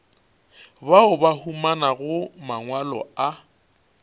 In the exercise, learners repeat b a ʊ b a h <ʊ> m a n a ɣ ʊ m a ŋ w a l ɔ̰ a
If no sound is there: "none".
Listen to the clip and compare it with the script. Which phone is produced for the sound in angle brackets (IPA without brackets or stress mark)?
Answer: u